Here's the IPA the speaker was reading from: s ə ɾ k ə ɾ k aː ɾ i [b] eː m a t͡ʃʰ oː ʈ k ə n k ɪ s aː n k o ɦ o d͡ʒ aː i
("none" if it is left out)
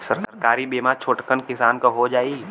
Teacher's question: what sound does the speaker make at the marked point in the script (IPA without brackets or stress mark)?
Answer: b